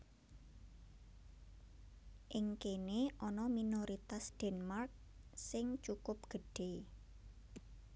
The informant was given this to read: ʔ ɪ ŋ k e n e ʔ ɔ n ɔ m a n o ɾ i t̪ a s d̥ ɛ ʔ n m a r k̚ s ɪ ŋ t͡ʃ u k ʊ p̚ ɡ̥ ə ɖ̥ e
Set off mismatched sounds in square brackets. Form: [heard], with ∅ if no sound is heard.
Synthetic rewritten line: ʔ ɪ ŋ k e n e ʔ ɔ n ɔ m [i] n o ɾ i t̪ a s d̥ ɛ [∅] n m a r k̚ s ɪ ŋ t͡ʃ u k ʊ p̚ ɡ̥ ə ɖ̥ e